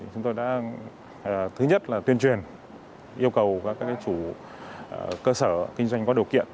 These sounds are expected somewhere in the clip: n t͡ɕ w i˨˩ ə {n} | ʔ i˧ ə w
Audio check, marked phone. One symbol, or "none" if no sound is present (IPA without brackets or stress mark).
n